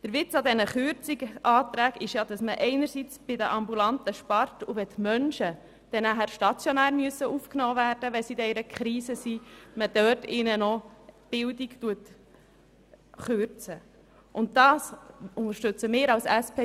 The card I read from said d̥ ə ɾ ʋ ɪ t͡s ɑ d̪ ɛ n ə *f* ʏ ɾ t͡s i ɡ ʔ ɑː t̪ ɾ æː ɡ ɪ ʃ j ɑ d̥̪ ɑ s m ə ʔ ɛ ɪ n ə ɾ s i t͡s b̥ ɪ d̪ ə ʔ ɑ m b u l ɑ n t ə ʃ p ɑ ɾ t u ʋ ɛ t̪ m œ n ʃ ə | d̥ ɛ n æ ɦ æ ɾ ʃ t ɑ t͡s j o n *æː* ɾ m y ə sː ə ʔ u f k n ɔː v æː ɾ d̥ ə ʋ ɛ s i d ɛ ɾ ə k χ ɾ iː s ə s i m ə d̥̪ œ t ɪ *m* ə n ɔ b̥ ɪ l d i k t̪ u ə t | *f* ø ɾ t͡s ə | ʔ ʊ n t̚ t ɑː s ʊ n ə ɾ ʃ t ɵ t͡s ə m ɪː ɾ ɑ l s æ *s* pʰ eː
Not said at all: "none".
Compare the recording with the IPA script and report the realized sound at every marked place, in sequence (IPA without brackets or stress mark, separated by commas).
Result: χ, æː, n, χ, s